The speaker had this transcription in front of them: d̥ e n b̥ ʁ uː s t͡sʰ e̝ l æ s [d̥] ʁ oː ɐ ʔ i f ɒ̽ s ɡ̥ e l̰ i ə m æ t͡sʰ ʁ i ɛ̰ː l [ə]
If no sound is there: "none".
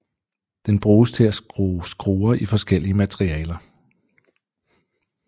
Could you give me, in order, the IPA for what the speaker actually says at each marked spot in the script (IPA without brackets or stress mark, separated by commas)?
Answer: ɡ̥, ɐ